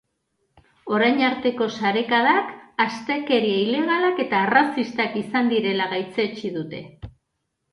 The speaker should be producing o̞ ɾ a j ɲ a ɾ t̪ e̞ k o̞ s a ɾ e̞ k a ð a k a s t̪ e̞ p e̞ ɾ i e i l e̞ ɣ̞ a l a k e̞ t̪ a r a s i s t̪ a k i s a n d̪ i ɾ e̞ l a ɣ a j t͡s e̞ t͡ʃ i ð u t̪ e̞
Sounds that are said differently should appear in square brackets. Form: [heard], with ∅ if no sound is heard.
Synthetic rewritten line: o̞ ɾ a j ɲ a ɾ t̪ e̞ k o̞ s a ɾ e̞ k a ð a k a s t̪ e̞ [k] e̞ ɾ i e i l e̞ ɣ̞ a l a k e̞ t̪ a r a s i s t̪ a k i s a n d̪ i ɾ e̞ l a ɣ a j t͡s e̞ t͡ʃ i ð u t̪ e̞